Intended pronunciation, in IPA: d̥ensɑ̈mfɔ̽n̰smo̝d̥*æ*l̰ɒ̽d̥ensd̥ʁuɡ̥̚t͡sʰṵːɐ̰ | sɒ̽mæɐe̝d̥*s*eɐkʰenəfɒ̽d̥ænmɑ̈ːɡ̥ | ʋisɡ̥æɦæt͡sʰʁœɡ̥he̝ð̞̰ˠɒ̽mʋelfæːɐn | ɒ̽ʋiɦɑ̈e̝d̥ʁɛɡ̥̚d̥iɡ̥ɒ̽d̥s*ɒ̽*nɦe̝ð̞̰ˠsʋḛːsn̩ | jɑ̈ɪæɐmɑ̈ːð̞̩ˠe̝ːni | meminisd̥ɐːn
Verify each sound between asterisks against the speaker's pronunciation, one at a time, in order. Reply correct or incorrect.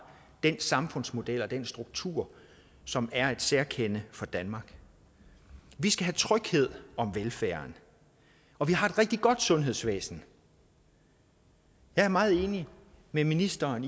incorrect: e, correct, incorrect: ɔ̽

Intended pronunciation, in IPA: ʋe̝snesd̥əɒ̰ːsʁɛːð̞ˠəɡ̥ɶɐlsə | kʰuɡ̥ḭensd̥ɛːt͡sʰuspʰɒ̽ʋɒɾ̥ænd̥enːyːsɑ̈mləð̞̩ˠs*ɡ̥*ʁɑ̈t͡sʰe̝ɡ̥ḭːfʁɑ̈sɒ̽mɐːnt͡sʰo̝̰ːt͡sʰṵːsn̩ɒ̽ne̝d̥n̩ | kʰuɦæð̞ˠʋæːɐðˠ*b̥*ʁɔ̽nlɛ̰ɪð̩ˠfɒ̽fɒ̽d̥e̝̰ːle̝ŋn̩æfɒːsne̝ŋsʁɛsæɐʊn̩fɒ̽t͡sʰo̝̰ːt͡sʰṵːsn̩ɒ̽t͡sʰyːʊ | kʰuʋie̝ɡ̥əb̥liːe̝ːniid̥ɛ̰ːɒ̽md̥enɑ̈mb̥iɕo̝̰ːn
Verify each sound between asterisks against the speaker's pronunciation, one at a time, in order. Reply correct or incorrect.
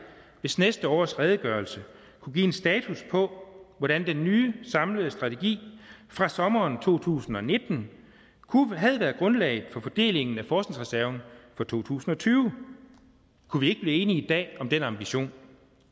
incorrect: d̥, incorrect: ɡ̥

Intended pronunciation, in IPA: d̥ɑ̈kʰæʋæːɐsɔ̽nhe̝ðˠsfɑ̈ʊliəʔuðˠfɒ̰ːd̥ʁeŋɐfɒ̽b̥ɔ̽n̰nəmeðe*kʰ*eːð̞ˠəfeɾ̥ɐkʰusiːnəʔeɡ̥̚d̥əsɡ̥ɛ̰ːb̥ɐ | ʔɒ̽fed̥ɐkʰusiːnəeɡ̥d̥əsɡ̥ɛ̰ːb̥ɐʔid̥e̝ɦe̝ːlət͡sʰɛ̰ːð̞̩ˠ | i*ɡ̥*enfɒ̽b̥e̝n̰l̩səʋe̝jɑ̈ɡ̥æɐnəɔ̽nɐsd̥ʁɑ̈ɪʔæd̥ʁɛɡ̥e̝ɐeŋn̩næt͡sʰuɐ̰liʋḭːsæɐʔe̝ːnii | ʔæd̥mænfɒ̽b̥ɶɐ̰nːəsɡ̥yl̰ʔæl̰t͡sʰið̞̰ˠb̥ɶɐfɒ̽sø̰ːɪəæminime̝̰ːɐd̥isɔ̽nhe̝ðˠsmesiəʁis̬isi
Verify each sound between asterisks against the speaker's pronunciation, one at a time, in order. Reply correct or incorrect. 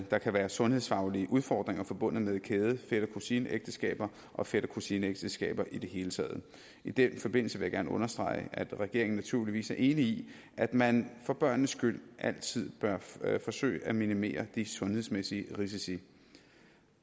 correct, incorrect: d̥

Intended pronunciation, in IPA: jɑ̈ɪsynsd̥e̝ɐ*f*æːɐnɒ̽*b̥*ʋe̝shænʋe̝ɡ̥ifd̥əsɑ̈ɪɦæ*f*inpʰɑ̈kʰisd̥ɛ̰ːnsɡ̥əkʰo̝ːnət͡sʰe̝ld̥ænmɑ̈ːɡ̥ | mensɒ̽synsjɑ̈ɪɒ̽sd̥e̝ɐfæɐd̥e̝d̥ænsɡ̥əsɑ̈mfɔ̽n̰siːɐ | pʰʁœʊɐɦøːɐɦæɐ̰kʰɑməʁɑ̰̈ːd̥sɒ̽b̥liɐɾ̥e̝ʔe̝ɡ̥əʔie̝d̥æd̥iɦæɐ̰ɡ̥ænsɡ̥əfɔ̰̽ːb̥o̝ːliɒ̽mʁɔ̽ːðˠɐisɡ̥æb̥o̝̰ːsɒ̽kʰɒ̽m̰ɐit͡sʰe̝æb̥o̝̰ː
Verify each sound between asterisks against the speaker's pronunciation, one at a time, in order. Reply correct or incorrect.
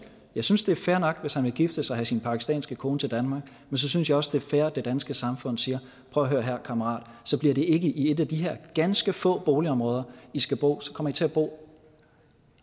correct, incorrect: ɡ̥, incorrect: s

